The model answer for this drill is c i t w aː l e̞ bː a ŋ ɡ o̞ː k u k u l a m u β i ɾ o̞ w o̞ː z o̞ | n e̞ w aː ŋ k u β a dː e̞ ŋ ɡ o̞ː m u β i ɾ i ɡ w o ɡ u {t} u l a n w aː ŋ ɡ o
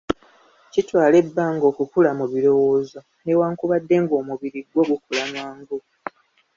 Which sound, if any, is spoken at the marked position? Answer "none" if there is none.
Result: k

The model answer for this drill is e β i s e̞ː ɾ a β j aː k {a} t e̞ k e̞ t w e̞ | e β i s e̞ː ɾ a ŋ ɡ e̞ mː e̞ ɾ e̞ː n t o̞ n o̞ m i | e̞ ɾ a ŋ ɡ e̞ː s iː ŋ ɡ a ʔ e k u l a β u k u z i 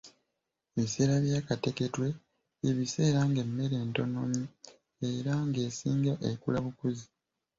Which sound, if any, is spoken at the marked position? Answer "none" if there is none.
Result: a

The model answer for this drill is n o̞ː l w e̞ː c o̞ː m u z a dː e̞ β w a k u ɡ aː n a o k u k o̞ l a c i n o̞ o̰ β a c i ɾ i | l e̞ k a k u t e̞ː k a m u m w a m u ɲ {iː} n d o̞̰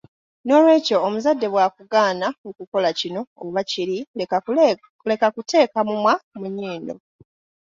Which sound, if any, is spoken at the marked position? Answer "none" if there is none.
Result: iː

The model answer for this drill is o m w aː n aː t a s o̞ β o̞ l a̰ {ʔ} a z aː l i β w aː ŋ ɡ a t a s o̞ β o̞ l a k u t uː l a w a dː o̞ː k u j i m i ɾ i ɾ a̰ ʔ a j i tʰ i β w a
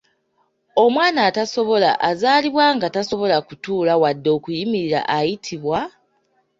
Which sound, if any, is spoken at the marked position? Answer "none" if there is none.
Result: ʔ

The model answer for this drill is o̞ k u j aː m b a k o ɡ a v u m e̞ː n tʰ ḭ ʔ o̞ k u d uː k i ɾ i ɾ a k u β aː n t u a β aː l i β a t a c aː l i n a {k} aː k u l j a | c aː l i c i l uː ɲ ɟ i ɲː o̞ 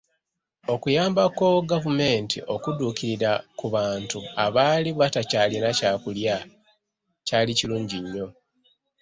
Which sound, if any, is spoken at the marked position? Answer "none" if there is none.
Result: c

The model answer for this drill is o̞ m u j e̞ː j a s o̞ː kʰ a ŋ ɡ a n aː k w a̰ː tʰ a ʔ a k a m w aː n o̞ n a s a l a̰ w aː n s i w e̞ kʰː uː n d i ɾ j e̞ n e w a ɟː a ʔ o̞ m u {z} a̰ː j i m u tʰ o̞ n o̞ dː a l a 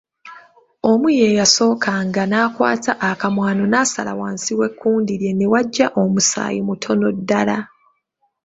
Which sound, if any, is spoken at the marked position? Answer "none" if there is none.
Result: s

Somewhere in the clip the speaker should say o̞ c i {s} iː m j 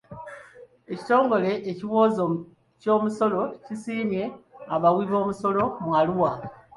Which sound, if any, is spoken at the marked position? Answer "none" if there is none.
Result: s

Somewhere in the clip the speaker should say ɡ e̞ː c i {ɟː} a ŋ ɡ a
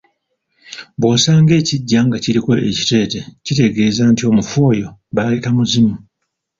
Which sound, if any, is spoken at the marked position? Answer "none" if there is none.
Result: ɟː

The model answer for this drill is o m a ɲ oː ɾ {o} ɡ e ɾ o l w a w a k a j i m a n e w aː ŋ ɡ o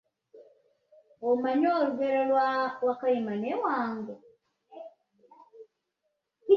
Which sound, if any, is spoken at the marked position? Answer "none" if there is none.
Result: u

